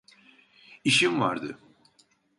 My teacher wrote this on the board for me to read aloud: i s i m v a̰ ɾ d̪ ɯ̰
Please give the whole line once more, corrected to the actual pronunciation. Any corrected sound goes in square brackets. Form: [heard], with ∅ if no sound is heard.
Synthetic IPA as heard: i [ʃ] i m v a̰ ɾ d̪ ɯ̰